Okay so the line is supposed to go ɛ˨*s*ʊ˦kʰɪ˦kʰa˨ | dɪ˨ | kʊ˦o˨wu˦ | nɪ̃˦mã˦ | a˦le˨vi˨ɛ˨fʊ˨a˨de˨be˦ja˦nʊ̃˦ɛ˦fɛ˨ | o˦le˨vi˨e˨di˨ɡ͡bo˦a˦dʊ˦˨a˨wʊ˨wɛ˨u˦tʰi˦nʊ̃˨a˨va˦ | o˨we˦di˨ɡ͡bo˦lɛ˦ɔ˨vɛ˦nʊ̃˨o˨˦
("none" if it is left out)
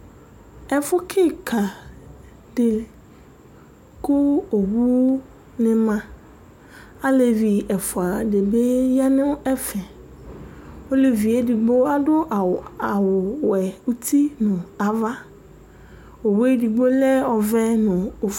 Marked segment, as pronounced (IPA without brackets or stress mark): f